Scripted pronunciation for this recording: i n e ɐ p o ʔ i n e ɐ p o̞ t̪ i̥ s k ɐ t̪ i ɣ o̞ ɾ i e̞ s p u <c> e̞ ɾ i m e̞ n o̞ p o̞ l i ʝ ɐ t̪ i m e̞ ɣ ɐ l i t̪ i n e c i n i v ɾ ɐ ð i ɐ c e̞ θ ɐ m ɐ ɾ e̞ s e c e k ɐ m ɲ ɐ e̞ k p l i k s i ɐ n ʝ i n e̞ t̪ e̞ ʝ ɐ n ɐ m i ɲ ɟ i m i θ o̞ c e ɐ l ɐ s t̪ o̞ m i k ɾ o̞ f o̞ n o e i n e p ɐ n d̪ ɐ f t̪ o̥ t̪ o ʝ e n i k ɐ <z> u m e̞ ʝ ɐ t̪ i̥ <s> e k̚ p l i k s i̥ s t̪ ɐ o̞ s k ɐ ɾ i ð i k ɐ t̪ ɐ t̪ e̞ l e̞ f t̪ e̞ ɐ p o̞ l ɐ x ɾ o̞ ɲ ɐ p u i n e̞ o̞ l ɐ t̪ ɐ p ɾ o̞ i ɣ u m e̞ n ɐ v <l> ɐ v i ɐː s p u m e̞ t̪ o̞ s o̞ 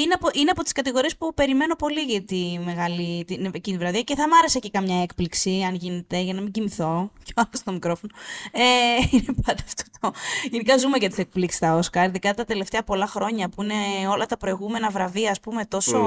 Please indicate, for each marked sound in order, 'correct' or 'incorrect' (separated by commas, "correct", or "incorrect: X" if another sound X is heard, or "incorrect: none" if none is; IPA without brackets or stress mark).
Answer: incorrect: p, correct, correct, incorrect: ɾ